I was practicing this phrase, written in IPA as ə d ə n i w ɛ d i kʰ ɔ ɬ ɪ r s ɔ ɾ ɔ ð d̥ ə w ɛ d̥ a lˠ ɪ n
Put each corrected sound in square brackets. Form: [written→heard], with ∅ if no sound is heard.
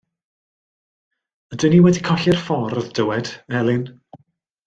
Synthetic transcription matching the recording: ə d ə n i w ɛ d i kʰ ɔ ɬ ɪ r [s→f] ɔ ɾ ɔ ð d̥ ə w ɛ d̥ [a→ɛ] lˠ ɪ n